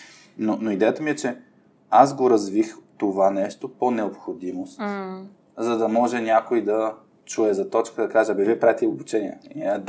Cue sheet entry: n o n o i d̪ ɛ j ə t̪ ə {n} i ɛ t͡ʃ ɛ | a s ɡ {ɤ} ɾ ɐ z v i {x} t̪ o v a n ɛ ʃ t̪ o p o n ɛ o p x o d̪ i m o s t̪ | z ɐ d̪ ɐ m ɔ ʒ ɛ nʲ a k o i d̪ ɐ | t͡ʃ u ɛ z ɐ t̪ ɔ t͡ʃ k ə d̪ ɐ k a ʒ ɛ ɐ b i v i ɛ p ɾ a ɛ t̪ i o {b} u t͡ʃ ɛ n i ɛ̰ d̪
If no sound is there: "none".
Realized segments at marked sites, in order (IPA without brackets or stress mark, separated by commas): m, o, x, b